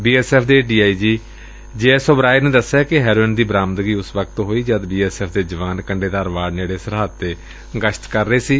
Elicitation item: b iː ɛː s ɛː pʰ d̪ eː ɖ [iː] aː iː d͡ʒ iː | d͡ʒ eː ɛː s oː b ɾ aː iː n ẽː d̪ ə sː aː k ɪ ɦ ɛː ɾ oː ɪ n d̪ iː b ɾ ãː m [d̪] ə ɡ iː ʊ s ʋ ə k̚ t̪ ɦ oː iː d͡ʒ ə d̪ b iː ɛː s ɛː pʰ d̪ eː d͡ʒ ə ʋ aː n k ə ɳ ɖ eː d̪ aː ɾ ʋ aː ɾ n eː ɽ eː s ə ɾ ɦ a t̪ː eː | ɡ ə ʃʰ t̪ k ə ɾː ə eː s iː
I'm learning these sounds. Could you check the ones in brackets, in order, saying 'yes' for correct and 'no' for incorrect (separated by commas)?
yes, yes